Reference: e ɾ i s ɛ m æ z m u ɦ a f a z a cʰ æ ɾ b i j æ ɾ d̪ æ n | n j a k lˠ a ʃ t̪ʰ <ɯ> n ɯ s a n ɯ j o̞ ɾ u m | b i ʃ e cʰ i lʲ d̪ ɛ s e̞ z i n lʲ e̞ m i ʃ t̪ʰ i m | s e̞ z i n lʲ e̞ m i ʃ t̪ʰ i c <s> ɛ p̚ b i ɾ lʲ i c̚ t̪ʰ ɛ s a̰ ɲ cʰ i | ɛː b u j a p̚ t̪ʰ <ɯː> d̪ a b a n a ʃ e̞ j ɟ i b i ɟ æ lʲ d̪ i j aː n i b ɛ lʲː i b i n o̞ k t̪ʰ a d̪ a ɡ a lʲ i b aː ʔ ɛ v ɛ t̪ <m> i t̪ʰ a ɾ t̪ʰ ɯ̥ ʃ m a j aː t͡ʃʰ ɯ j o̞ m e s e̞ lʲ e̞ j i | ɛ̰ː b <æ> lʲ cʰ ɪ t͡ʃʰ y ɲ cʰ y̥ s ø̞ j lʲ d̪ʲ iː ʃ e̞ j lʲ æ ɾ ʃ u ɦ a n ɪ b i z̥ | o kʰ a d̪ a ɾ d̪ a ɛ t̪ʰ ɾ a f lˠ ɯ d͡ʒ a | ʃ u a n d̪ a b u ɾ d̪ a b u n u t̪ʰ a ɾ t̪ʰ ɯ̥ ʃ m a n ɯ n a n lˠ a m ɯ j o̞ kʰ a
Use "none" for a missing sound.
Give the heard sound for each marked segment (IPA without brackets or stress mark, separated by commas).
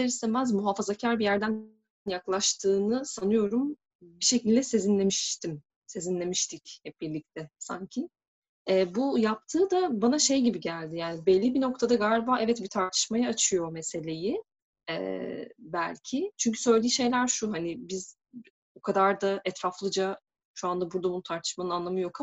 ɯː, h, ɯː, b, æ